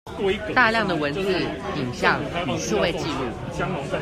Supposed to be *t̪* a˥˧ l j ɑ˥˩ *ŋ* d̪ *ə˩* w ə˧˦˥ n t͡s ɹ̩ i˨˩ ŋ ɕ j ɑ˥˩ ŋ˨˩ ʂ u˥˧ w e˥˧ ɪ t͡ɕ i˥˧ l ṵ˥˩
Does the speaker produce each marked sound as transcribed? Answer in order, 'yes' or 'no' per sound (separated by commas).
yes, yes, yes